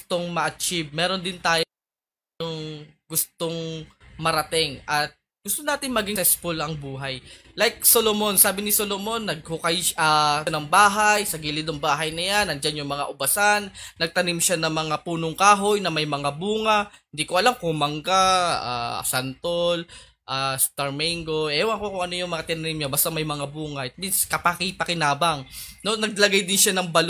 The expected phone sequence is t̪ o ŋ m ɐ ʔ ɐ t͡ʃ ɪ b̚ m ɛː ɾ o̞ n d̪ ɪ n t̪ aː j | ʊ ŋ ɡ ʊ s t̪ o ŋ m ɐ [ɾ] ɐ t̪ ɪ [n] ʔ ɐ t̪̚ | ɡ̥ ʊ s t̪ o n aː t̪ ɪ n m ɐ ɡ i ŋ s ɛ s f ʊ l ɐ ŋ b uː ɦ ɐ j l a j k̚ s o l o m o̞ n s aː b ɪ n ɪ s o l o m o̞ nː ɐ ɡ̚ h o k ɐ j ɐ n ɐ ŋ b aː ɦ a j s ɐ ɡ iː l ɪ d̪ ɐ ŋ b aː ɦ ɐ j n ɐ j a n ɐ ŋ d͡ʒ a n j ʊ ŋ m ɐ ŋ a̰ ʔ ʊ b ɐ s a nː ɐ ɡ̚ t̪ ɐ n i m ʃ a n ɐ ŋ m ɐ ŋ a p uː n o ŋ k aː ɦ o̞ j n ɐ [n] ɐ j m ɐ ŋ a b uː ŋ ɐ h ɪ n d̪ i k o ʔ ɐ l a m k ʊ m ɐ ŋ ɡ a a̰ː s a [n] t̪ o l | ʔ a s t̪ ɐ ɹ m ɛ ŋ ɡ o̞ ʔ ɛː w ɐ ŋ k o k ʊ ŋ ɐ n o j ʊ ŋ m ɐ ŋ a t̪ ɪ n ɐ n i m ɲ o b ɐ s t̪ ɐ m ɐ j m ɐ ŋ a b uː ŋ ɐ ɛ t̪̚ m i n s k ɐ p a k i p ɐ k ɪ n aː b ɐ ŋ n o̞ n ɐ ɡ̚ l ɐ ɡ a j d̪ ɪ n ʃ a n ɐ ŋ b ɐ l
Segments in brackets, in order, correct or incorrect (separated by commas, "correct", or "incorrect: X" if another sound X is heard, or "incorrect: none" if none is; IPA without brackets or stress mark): correct, incorrect: ŋ, incorrect: m, correct